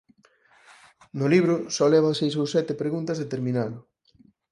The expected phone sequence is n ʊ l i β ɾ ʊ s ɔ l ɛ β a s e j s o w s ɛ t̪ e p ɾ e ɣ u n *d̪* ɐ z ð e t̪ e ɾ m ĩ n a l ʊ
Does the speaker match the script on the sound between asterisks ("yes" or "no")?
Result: no